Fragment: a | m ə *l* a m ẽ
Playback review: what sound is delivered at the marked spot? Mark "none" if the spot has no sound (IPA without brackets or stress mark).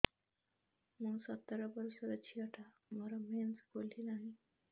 ɾ